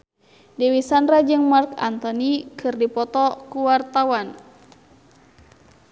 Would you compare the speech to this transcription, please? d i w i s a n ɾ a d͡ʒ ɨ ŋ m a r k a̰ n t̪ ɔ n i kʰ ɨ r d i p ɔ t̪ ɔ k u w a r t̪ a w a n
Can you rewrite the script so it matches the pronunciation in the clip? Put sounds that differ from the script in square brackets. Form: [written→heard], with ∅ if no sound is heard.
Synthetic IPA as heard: d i w i s a n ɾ a d͡ʒ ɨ ŋ m a r k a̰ n t̪ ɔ n i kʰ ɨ r d i p ɔ t̪ ɔ k u w a r t̪ a w a n